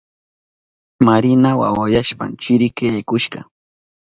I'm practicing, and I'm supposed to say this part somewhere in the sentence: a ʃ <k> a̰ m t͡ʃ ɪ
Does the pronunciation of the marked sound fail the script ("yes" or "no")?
yes